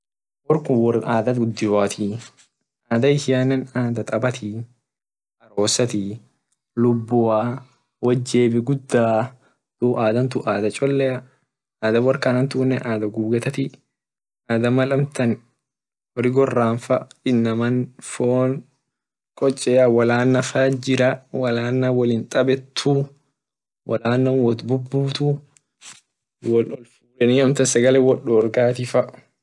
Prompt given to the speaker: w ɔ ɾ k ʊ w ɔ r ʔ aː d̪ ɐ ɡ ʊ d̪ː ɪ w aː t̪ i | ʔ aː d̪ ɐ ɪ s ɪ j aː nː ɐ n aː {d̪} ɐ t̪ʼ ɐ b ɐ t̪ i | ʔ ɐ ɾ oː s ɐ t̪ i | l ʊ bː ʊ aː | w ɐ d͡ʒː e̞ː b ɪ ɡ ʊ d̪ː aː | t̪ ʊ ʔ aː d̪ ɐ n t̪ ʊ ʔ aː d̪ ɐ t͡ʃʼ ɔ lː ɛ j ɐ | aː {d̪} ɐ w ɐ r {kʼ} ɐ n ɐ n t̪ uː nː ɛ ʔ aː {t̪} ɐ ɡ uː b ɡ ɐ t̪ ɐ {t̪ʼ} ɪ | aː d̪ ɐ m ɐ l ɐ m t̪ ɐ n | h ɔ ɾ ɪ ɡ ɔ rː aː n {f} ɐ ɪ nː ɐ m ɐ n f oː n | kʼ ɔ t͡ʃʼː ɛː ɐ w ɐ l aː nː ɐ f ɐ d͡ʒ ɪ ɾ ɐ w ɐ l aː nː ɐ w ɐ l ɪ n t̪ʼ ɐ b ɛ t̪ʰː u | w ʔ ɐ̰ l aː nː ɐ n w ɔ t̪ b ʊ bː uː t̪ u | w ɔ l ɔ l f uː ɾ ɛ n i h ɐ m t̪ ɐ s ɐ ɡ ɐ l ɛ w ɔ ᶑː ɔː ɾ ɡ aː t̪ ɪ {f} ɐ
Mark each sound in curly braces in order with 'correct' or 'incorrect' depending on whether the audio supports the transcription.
correct, correct, incorrect, incorrect, incorrect, correct, correct

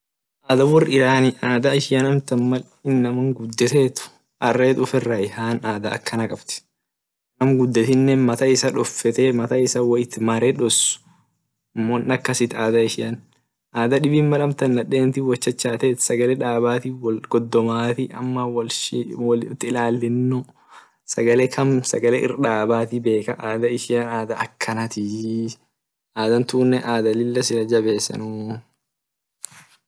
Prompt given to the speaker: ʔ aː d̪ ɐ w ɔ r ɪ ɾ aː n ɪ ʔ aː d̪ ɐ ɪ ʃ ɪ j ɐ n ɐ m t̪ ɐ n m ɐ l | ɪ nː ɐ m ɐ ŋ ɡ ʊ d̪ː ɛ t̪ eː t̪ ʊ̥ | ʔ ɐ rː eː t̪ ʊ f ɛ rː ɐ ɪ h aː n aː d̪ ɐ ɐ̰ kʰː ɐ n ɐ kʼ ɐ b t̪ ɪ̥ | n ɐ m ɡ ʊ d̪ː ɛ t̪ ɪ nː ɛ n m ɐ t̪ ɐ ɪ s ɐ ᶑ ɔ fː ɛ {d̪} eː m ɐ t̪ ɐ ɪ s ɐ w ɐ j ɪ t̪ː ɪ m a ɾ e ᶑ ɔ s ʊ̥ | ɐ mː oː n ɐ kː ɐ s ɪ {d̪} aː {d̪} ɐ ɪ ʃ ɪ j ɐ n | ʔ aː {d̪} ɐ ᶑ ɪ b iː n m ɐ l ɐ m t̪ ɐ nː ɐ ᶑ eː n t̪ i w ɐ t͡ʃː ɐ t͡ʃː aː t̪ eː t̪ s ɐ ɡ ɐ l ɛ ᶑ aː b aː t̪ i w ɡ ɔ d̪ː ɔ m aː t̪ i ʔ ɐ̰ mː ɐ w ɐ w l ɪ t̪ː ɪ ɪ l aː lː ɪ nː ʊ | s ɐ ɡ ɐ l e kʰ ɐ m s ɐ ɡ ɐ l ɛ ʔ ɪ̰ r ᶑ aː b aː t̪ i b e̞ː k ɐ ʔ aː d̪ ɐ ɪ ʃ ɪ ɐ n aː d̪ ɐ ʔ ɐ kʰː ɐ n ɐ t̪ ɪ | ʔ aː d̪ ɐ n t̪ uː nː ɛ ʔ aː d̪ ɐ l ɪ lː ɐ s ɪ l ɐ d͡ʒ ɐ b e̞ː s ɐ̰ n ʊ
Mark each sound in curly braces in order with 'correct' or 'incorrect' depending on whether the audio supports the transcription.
incorrect, incorrect, correct, correct

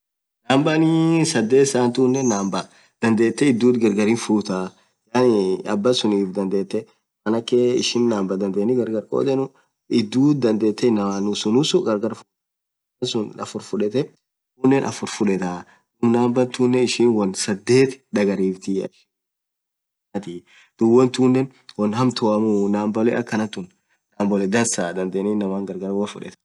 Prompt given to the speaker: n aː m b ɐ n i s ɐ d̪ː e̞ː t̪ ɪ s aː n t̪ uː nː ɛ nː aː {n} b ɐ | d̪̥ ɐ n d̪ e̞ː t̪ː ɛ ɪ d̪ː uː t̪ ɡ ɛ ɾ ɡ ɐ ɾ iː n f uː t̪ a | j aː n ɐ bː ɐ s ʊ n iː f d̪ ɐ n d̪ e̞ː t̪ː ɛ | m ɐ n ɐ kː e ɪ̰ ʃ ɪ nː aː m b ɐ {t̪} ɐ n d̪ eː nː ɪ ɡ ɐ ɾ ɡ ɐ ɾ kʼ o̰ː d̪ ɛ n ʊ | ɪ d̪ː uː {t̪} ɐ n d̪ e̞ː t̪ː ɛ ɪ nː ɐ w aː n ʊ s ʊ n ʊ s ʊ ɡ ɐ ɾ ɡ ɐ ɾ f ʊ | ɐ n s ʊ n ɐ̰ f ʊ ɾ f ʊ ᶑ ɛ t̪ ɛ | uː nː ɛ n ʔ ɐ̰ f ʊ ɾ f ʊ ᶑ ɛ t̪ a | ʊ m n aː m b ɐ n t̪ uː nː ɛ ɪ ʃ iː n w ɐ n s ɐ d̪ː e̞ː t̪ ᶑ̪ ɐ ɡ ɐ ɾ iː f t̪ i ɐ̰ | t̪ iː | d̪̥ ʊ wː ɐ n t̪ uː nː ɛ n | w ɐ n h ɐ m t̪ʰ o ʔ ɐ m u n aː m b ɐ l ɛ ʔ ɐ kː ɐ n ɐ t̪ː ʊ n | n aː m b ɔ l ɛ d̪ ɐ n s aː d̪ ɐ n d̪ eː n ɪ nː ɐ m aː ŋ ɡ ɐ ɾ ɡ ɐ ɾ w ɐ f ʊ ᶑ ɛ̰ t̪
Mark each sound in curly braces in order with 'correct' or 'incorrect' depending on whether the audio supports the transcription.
incorrect, incorrect, incorrect

